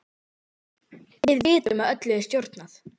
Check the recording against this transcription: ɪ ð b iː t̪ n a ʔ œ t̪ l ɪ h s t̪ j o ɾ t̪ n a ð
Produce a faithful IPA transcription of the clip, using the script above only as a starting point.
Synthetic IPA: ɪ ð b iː t̪ m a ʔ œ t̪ l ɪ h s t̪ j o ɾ t̪ n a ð